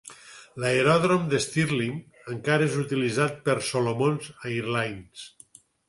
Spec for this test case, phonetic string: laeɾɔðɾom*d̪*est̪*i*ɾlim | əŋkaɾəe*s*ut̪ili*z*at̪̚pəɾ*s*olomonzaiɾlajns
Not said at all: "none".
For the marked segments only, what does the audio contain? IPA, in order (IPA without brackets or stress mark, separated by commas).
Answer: d̪, i, z, z, s